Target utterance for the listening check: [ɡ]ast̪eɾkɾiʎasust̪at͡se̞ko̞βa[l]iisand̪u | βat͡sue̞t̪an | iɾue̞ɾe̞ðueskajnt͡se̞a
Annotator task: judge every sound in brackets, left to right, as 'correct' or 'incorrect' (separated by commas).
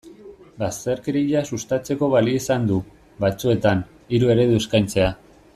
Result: incorrect, correct